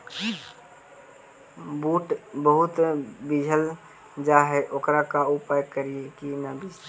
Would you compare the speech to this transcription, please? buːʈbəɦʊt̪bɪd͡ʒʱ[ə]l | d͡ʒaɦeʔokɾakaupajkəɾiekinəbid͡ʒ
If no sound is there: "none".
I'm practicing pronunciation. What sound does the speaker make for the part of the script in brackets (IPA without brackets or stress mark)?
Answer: ə